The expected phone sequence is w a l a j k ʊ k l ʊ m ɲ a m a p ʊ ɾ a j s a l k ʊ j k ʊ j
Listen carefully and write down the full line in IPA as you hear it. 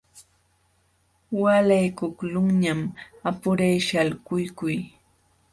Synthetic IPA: w a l a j k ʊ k l ʊ ŋ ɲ a m a p ʊ ɾ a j ʃ a l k ʊ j k ʊ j